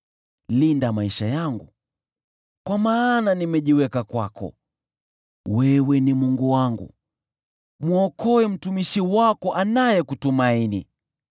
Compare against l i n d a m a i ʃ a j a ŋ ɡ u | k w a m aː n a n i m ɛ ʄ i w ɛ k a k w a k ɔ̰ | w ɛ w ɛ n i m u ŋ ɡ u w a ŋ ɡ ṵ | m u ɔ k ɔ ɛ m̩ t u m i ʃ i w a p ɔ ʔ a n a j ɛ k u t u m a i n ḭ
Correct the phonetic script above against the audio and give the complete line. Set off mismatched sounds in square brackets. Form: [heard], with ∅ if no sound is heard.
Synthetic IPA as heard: l i n d a m a i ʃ a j a ŋ ɡ u | k w a m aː n a n i m ɛ ʄ i w ɛ k a k w a k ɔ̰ | w ɛ w ɛ n i m u ŋ ɡ u w a ŋ ɡ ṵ | m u ɔ k ɔ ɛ m̩ t u m i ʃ i w a [k] ɔ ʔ a n a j ɛ k u t u m a i n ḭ